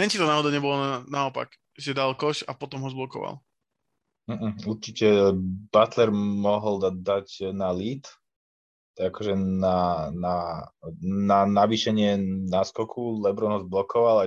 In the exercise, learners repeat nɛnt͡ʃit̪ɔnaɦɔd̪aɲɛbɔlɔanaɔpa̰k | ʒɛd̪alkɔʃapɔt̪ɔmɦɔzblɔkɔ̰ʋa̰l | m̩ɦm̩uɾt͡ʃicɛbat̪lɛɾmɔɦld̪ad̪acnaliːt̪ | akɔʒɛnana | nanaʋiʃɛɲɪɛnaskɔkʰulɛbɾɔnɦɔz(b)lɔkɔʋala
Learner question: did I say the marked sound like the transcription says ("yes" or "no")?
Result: yes